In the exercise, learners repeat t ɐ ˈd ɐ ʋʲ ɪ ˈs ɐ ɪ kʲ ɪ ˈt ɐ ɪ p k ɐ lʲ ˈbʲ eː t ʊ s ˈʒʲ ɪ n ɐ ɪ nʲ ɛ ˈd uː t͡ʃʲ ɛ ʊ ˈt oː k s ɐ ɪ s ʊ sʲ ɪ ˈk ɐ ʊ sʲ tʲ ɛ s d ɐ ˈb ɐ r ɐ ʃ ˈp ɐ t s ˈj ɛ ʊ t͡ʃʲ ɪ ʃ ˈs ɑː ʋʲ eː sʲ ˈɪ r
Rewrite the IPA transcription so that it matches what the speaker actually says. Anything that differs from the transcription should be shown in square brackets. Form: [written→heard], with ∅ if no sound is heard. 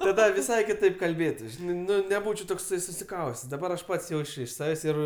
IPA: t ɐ ˈd ɐ ʋʲ ɪ ˈs ɐ ɪ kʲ ɪ ˈt ɐ ɪ p k ɐ lʲ ˈbʲ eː t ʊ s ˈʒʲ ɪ n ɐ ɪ nʲ ɛ [ˈd→ˈb] uː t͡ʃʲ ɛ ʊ ˈt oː k s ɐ ɪ s ʊ sʲ ɪ ˈk ɐ ʊ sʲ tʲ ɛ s d ɐ ˈb ɐ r ɐ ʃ ˈp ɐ t s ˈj ɛ ʊ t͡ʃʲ ɪ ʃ ˈs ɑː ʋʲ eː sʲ ˈɪ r